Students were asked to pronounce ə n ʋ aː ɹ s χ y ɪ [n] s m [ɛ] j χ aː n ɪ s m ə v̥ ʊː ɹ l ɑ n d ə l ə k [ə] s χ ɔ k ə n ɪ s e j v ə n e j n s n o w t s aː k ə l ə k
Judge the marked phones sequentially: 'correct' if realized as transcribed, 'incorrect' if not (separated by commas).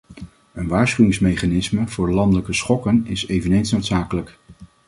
incorrect, incorrect, correct